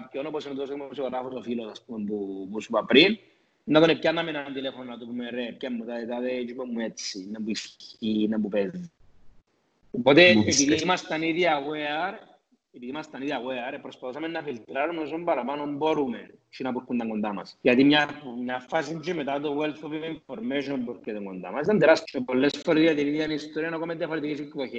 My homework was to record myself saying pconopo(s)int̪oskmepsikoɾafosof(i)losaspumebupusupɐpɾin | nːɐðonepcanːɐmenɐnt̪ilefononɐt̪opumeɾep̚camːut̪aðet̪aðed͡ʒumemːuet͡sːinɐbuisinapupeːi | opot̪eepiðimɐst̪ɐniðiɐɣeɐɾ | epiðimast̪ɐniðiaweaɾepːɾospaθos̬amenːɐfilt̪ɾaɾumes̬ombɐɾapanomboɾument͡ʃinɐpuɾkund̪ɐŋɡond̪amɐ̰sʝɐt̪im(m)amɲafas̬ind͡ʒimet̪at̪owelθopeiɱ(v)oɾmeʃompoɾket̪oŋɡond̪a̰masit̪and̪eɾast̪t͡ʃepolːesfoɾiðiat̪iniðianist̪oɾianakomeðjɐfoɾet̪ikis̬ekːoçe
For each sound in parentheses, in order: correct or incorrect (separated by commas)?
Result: correct, correct, incorrect, incorrect